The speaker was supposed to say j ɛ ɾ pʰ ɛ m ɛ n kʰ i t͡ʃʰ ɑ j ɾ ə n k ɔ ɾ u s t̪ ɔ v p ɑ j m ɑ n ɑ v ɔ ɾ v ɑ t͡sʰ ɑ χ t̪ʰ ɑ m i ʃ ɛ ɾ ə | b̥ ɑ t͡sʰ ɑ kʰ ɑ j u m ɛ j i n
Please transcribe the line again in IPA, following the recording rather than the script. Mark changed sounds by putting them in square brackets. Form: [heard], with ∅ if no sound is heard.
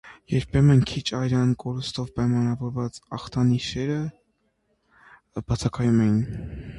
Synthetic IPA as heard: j ɛ ɾ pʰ ɛ m ɛ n kʰ i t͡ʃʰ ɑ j ɾ [ɑ] n k ɔ ɾ u s t̪ ɔ v p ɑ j m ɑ n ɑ v ɔ ɾ v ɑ [t͡s] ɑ χ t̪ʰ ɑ [n] i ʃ ɛ ɾ ə | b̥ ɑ t͡sʰ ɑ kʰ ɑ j u m ɛ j i n